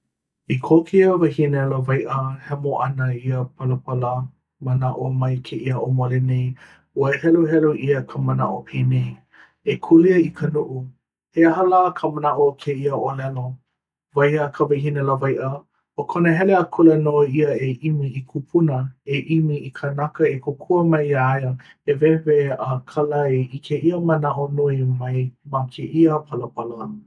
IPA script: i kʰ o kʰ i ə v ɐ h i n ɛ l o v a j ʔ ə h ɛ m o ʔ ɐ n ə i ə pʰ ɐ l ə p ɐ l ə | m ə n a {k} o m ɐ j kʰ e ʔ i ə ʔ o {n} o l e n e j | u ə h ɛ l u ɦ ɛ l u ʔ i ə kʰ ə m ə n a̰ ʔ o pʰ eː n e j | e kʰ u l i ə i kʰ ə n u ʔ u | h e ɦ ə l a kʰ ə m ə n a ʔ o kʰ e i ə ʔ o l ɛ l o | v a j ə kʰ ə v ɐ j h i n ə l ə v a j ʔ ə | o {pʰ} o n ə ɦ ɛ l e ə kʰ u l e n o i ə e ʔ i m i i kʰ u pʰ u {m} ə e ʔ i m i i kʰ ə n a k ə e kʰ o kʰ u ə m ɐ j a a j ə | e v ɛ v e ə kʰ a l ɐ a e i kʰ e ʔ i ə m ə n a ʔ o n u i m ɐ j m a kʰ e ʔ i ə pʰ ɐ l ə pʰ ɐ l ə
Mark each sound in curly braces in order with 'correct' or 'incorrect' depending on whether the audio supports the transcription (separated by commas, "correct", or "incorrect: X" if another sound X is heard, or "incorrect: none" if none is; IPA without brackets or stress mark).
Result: incorrect: ʔ, incorrect: m, incorrect: kʰ, incorrect: n